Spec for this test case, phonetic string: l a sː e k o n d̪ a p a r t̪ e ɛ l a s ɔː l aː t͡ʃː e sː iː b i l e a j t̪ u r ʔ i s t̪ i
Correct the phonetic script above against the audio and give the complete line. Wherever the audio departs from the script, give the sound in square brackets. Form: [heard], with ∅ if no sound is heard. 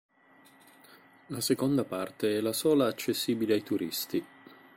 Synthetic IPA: l a [s] e k o n d̪ a p a r t̪ e ɛ l a s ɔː l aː t͡ʃː e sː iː b i l e a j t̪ u [ɾ] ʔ i s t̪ i